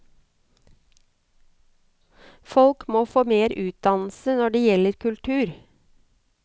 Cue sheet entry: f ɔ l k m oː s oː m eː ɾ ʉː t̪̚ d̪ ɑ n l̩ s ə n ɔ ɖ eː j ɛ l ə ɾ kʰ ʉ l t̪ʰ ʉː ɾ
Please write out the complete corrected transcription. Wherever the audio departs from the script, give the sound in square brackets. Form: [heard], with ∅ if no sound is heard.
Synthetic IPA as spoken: f ɔ l k m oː [f] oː m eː ɾ ʉː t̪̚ d̪ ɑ n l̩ s ə n ɔ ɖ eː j ɛ l ə ɾ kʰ ʉ l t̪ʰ ʉː ɾ